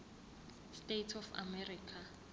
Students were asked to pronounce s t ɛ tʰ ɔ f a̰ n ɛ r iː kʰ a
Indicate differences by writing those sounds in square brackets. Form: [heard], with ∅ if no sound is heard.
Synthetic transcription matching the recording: s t [e] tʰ ɔ f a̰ [m] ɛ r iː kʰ a